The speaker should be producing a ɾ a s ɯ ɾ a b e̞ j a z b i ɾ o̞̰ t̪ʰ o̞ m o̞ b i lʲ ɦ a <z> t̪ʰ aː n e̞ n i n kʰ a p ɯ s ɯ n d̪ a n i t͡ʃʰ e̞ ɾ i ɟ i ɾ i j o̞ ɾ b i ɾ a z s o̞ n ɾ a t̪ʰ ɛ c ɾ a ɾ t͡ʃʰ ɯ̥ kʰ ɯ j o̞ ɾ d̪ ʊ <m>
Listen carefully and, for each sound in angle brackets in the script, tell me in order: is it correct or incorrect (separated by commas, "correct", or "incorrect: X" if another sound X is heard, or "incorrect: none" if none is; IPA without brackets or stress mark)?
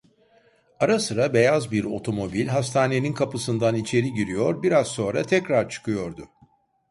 incorrect: s, incorrect: none